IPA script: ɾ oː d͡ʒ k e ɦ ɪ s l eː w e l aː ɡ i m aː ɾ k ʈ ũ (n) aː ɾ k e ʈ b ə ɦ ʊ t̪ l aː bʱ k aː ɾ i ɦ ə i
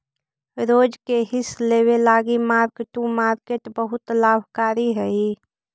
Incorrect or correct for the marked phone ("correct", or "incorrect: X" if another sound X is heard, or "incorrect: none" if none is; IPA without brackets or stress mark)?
incorrect: m